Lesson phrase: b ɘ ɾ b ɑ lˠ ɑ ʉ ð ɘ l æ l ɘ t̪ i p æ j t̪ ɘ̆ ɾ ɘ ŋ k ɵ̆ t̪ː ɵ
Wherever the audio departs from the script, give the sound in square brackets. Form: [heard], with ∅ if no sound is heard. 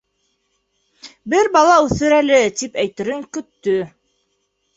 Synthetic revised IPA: b ɘ ɾ b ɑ lˠ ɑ ʉ [θ] ɘ [ɾ] æ l ɘ t̪ i p æ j t̪ ɘ̆ ɾ ɘ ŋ k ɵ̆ t̪ː ɵ